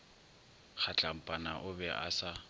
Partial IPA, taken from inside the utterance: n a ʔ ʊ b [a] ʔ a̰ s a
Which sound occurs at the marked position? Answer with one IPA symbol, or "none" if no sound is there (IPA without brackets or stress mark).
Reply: ɛ